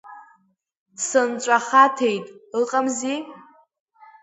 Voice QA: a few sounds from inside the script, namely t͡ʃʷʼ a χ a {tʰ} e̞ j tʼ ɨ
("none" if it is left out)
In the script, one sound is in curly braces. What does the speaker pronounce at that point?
tʰ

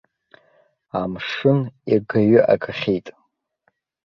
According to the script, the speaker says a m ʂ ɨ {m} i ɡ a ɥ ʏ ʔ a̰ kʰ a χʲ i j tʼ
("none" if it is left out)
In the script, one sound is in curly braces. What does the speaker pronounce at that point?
n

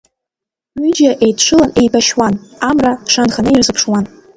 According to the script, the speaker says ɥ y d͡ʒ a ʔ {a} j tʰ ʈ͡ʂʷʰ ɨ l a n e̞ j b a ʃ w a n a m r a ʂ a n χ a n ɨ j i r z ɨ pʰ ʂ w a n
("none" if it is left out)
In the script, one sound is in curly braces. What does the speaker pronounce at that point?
e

